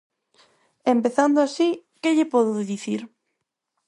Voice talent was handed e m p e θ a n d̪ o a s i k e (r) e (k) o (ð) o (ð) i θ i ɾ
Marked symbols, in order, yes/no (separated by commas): no, no, yes, yes